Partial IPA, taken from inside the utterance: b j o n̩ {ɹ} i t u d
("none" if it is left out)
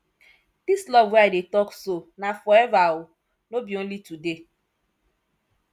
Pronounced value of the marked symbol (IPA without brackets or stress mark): l